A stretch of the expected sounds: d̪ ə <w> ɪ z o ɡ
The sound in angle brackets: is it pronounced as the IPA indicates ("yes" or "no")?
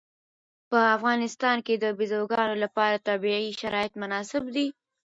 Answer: no